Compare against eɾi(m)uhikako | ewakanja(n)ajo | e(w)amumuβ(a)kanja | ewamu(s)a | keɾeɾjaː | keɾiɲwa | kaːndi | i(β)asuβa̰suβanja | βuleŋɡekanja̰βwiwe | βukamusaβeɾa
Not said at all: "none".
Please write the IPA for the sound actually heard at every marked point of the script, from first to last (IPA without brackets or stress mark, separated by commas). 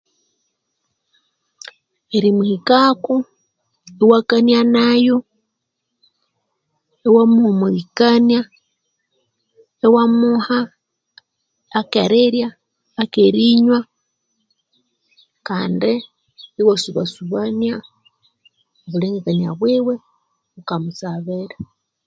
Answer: m, n, w, i, h, w